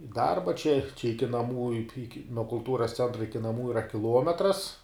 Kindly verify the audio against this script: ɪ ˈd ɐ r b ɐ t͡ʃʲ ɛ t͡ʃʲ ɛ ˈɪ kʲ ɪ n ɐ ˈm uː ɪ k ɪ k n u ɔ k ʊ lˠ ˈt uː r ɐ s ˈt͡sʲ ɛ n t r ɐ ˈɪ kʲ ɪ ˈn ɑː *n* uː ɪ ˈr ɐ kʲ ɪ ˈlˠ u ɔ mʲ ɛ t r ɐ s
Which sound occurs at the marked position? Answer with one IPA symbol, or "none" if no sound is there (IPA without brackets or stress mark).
m